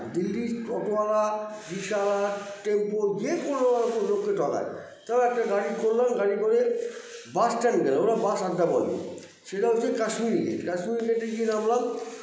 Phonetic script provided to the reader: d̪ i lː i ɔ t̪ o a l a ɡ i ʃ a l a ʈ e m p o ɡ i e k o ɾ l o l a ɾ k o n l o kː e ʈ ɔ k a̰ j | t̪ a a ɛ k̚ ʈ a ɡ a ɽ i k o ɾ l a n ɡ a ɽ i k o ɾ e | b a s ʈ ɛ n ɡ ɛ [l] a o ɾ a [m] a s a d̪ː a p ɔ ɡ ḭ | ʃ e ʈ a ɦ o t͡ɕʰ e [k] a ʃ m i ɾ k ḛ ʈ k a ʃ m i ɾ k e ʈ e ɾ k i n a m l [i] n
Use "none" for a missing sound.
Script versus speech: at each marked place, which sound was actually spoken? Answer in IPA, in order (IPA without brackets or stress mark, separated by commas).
l, b, k, a